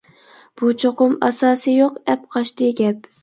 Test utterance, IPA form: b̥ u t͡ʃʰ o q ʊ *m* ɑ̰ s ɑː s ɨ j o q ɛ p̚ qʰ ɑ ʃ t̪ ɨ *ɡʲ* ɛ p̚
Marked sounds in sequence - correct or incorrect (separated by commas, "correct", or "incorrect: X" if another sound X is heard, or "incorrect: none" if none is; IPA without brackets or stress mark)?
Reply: correct, correct